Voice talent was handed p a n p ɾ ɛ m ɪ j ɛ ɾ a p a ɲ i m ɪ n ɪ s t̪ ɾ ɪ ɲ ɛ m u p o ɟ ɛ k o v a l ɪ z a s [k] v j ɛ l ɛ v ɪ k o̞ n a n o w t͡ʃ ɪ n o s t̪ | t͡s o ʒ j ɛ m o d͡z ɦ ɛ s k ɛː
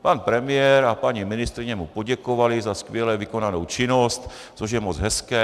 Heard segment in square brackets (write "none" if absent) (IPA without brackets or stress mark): k